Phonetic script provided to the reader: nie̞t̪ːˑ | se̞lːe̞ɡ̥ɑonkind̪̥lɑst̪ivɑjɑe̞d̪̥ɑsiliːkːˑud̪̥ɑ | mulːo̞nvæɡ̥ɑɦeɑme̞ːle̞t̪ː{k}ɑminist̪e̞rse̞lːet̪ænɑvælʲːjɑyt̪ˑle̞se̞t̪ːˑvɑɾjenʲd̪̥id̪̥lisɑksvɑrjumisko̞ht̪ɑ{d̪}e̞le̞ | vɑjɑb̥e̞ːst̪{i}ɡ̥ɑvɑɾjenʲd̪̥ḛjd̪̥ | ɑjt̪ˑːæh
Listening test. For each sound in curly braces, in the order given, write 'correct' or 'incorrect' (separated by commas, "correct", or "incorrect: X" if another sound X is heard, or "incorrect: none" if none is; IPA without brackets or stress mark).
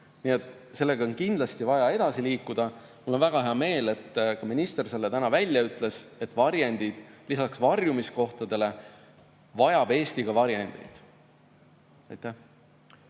correct, correct, correct